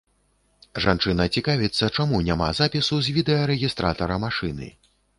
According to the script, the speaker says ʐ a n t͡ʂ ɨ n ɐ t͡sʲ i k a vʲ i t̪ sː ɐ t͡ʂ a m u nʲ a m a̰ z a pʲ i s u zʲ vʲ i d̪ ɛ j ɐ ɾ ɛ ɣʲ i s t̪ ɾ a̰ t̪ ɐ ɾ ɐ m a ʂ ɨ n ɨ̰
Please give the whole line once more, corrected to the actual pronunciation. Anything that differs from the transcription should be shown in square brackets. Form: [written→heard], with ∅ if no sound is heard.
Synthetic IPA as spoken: ʐ a n t͡ʂ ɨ n ɐ t͡sʲ i k a vʲ i t̪ sː ɐ t͡ʂ a m u nʲ a m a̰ z a pʲ i s u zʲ vʲ i d̪ ɛ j ɐ ɾ ɛ ɣʲ i s t̪ ɾ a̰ t̪ ɐ ɾ ɐ m a ʂ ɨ n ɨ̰

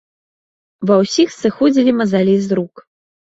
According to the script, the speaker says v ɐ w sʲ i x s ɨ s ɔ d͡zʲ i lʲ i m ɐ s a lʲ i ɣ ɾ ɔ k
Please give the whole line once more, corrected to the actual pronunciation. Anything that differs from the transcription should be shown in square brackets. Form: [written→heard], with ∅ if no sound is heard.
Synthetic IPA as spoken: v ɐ w sʲ i x s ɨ [s→x] ɔ d͡zʲ i lʲ i m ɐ [s→z] a lʲ i [ɣ→z] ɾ [ɔ→u] k

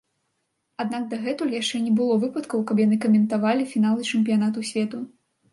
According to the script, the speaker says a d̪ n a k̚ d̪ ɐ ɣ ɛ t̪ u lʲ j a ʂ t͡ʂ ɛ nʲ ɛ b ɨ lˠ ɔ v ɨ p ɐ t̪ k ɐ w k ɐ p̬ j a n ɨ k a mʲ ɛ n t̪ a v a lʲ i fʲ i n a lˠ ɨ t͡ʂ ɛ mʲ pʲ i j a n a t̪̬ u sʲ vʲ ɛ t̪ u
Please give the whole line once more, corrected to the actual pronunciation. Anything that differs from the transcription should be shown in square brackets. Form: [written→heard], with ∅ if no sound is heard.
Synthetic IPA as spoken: a d̪ n a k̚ d̪ ɐ ɣ ɛ t̪ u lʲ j a ʂ t͡ʂ ɛ nʲ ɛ b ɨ lˠ ɔ v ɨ p ɐ t̪ k ɐ w k ɐ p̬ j a n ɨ k [a→ɐ] mʲ ɛ n t̪ a v a lʲ i fʲ i n a lˠ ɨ t͡ʂ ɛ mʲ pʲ i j a n a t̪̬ u sʲ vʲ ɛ t̪ u

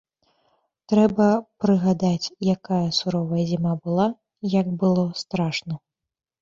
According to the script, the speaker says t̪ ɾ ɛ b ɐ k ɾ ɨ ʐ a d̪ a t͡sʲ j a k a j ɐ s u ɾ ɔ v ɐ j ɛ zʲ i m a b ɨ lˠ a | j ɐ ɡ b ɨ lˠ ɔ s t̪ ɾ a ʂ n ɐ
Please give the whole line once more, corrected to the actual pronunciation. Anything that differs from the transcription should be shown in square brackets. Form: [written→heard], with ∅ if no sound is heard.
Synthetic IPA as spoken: t̪ ɾ ɛ b ɐ [k→p] ɾ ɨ [ʐ→ɣ] a d̪ a t͡sʲ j a k a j ɐ s u ɾ ɔ v ɐ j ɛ zʲ i m a b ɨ lˠ a | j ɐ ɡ b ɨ lˠ ɔ s t̪ ɾ a ʂ n ɐ

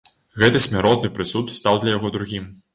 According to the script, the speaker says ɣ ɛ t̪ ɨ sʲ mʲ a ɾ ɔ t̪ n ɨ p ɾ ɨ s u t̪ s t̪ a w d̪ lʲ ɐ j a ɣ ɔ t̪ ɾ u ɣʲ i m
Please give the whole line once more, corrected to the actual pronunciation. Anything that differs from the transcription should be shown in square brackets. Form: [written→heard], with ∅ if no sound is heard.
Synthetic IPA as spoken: ɣ ɛ t̪ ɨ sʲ mʲ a ɾ ɔ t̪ n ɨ p ɾ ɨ s u t̪ s t̪ a w d̪ lʲ ɐ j a ɣ ɔ [t̪→d̪] ɾ u ɣʲ i m

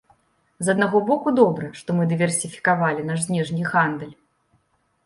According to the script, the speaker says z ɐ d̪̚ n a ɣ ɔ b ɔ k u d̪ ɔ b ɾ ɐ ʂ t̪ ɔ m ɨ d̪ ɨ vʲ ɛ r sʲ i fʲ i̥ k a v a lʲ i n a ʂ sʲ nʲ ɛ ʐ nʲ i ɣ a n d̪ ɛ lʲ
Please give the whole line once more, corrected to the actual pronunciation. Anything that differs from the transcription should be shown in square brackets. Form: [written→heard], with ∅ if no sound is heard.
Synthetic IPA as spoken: z ɐ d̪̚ n a ɣ ɔ b ɔ k u d̪ ɔ b ɾ ɐ ʂ t̪ ɔ m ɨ d̪ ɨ vʲ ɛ r sʲ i fʲ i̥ k a v a lʲ i n a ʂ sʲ nʲ ɛ ʐ nʲ i ɣ a n d̪ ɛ lʲ

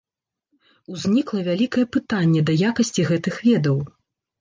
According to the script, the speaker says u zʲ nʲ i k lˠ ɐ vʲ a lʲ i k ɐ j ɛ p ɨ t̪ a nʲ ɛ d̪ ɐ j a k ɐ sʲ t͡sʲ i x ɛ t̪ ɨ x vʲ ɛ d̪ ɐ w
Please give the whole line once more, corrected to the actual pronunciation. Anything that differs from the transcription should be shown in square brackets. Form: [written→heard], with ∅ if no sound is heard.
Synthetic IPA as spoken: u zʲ nʲ i k lˠ ɐ vʲ a lʲ i k ɐ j ɛ p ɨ t̪ a [nʲ→nʲː] ɛ d̪ ɐ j a k ɐ sʲ t͡sʲ i [x→ɣ] ɛ t̪ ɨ x vʲ ɛ d̪ ɐ w

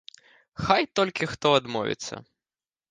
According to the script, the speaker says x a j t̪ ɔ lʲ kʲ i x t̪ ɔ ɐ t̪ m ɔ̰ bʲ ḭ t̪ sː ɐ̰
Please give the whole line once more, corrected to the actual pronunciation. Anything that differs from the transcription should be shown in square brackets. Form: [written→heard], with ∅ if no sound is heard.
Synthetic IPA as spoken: x a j t̪ ɔ lʲ kʲ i x t̪ ɔ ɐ [t̪→d̪] m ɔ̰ [bʲ→vʲ] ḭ t̪ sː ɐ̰

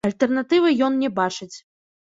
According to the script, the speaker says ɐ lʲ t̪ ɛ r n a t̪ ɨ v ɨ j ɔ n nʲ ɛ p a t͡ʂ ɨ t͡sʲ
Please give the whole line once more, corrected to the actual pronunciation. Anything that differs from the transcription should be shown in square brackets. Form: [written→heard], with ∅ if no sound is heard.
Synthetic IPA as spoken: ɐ lʲ t̪ ɛ r n a t̪ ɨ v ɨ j ɔ n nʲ ɛ [p→b] a t͡ʂ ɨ t͡sʲ

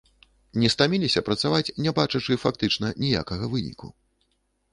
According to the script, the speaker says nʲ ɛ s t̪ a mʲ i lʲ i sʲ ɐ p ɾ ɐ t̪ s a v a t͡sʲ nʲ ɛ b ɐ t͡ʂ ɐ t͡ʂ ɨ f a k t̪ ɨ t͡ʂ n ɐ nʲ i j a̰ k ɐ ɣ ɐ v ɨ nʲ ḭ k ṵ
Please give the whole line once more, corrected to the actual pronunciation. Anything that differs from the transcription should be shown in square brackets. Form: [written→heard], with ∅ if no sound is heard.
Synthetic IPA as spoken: nʲ ɛ s t̪ a mʲ i lʲ i sʲ ɐ p ɾ ɐ t̪ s a v a t͡sʲ nʲ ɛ b [ɐ→a] t͡ʂ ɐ t͡ʂ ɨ f a k t̪ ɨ t͡ʂ n ɐ nʲ i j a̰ k ɐ ɣ ɐ v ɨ nʲ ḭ k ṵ

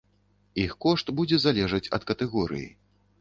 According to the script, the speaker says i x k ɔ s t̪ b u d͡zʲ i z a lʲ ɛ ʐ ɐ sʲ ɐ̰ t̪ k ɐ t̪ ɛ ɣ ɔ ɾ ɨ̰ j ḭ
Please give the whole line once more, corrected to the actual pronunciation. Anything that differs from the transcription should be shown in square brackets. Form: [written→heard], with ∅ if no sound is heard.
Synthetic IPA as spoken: i x k ɔ [s→ʂ] t̪ b u d͡zʲ [i→ɛ] z a lʲ ɛ ʐ ɐ [sʲ→t͡sʲ] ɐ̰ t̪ k ɐ t̪ ɛ ɣ ɔ ɾ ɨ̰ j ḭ

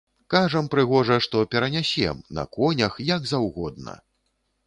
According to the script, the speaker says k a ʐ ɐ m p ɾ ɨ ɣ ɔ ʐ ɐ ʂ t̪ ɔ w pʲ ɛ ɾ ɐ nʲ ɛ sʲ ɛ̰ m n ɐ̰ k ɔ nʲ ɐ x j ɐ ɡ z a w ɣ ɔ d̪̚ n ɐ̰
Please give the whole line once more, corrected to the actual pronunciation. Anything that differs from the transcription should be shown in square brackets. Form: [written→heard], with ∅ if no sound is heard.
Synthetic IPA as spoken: k a ʐ ɐ m p ɾ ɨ ɣ ɔ ʐ ɐ ʂ t̪ ɔ [w→∅] pʲ ɛ ɾ ɐ nʲ [ɛ→a] sʲ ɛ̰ m n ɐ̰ k ɔ nʲ ɐ x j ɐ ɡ z a w ɣ ɔ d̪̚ n ɐ̰

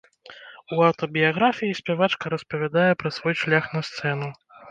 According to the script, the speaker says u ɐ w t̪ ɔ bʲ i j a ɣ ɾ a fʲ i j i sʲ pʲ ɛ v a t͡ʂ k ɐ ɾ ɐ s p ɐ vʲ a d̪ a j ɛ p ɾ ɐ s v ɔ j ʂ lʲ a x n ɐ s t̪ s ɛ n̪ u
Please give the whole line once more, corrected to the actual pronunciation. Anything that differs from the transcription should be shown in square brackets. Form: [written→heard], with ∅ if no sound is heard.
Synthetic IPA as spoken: u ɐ w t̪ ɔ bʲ i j a ɣ ɾ a fʲ i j i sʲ pʲ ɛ v a t͡ʂ k ɐ ɾ ɐ s p ɐ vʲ a d̪ a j ɛ p ɾ ɐ s v ɔ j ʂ lʲ a x n ɐ s t̪ s ɛ n̪ u

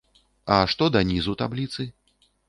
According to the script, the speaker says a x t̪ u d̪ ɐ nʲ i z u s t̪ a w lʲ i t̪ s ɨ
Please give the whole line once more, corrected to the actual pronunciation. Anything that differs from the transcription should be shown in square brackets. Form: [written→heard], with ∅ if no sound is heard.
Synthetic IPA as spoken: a [x→ʂ] t̪ [u→ɔ] d̪ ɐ nʲ i z u [s→∅] t̪ a [w→b] lʲ i t̪ s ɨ

